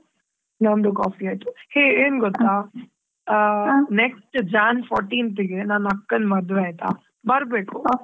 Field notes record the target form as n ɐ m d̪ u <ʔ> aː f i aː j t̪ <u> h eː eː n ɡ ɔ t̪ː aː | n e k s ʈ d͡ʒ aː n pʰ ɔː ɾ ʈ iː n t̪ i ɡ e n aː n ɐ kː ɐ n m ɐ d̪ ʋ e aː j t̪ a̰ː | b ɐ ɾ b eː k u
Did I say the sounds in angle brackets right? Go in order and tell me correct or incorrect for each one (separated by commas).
incorrect, correct